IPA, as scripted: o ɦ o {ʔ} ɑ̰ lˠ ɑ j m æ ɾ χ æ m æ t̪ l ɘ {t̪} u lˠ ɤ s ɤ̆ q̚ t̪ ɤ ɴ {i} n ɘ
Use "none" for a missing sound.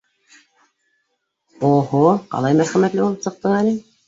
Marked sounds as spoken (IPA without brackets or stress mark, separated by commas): q, none, æ